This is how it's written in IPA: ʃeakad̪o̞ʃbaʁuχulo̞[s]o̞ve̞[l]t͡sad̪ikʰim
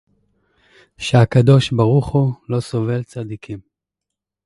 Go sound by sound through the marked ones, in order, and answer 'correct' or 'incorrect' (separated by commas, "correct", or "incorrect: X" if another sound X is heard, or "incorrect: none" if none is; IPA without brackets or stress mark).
correct, correct